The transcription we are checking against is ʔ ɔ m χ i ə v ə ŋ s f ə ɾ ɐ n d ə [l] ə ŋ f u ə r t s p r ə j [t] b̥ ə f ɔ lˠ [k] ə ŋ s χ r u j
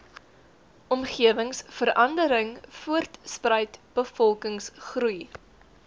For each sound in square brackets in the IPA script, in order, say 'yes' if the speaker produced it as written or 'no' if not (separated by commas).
no, yes, yes